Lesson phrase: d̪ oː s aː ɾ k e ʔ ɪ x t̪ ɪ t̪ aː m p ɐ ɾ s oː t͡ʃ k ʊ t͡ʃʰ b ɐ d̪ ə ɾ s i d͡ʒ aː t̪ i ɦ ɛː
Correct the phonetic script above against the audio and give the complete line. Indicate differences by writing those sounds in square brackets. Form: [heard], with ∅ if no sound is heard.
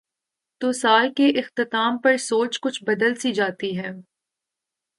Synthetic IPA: [t̪] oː s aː [l] k e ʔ ɪ x t̪ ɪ t̪ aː m p ɐ ɾ s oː t͡ʃ k ʊ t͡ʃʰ b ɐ d̪ ə [l] s i d͡ʒ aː t̪ i ɦ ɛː